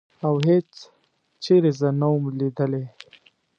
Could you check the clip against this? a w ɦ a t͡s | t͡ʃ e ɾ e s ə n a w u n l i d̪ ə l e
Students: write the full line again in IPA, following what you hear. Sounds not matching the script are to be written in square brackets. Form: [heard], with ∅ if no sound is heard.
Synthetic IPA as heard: a w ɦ [e] t͡s | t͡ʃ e ɾ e [z] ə n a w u [m] l i d̪ ə l e

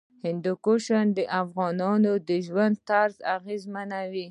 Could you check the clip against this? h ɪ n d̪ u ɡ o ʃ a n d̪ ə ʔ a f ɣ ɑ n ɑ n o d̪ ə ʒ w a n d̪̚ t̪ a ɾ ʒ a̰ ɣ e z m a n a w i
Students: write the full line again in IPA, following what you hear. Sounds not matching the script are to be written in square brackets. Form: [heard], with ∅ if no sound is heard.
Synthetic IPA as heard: h ɪ n d̪ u [k] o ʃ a n d̪ ə ʔ a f ɣ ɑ n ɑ n o d̪ ə ʒ w a n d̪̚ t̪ a ɾ [z] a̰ ɣ e z m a n a w i

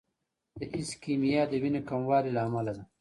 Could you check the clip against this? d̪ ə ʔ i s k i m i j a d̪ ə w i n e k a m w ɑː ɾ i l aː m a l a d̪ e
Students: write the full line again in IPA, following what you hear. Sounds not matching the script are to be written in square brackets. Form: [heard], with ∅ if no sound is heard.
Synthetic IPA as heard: d̪ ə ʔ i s k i m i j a d̪ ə w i n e k a m w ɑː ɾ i l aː m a l a d̪ [a]

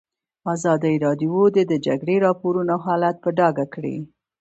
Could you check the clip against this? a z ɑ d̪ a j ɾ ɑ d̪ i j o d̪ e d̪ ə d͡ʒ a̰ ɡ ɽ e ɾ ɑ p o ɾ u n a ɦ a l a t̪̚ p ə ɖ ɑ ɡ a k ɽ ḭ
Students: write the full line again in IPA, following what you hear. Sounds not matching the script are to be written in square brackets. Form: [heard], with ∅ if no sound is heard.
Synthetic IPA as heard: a z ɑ d̪ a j ɾ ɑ d̪ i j o d̪ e d̪ ə d͡ʒ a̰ ɡ ɽ e ɾ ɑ p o ɾ u n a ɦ [ɑ] l a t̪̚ p ə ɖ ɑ ɡ a k ɽ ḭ

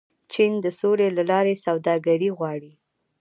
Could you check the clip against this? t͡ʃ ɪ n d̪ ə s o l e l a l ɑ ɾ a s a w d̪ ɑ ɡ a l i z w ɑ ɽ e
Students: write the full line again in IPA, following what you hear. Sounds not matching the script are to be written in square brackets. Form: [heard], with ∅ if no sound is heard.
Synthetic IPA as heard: t͡ʃ [i] n d̪ ə s o l e l a l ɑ ɾ [e] s a w d̪ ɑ ɡ a [ɾ] i [ɣ] w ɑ ɽ [i]

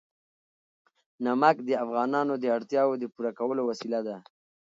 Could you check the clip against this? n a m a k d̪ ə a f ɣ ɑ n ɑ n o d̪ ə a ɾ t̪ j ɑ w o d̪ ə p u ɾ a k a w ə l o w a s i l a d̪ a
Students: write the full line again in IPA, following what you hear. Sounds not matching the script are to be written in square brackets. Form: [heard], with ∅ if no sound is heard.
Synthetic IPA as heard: n a m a k d̪ ə a f ɣ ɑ n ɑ n o d̪ ə a [ɽ] t̪ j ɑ w o d̪ ə p u ɾ a k a w ə l o w a s i l a d̪ a

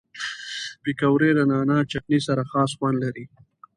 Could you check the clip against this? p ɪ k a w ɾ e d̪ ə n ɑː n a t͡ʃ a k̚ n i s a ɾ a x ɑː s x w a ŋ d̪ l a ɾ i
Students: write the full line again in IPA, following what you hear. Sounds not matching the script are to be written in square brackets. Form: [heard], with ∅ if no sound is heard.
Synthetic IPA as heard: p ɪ k a w ɾ e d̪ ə n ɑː n a t͡ʃ a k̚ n i s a ɾ a x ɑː s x w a [n] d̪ l a ɾ i

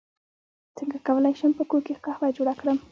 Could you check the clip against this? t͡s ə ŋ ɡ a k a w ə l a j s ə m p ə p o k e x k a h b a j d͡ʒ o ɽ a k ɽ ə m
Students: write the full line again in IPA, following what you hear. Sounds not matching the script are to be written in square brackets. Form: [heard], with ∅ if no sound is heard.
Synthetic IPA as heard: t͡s ə ŋ ɡ a k a w ə l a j [ʃ] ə m p ə [k] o k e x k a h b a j d͡ʒ o ɽ a k ɽ ə m

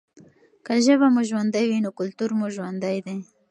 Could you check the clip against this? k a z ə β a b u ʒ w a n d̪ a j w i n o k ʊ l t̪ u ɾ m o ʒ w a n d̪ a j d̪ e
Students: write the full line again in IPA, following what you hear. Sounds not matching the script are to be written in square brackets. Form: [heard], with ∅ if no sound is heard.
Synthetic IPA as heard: k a [ʒ] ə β a [m] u ʒ w a n d̪ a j w i n o k ʊ l t̪ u ɾ m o ʒ w a n d̪ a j d̪ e

